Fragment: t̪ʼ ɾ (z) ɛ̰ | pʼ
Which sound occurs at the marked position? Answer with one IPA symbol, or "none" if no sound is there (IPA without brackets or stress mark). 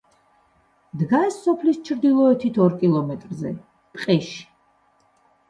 z